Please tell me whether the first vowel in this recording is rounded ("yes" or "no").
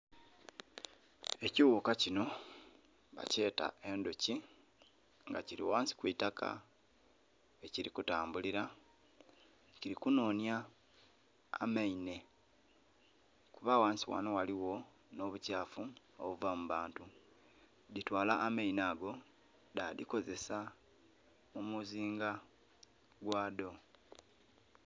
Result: no